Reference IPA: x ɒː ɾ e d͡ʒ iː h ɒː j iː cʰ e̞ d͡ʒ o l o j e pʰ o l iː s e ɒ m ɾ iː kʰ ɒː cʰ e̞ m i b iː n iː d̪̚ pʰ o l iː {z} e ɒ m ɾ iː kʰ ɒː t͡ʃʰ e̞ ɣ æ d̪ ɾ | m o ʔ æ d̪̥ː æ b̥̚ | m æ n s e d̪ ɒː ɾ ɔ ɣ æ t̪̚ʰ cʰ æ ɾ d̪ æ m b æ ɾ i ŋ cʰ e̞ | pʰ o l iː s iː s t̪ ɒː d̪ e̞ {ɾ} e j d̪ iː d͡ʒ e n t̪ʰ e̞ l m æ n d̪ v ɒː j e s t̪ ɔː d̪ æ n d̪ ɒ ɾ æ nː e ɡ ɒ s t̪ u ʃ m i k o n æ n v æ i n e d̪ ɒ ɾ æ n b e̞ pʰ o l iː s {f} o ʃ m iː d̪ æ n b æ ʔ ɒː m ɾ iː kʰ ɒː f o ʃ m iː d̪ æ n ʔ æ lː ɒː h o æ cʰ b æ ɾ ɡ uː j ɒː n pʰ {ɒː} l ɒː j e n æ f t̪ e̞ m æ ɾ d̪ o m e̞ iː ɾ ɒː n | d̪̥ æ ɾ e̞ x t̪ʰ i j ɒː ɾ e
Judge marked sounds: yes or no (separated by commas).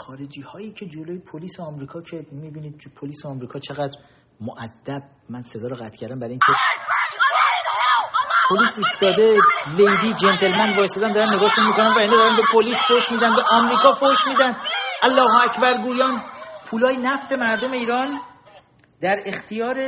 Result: no, no, yes, no